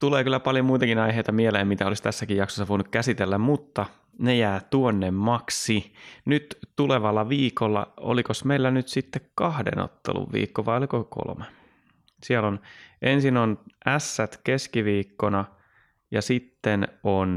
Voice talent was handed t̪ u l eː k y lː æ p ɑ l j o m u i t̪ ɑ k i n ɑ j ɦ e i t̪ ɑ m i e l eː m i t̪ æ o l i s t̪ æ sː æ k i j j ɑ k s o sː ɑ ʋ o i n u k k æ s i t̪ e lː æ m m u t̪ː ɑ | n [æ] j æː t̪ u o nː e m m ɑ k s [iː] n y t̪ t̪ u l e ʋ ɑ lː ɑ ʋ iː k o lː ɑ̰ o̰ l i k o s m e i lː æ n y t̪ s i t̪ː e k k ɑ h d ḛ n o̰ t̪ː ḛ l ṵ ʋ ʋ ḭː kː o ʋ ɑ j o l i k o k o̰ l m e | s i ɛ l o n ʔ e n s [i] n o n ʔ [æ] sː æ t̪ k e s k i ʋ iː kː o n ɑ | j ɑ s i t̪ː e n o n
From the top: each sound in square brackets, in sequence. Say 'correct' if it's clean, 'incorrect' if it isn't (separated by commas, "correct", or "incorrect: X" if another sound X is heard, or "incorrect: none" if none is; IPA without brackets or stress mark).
incorrect: e, incorrect: i, correct, correct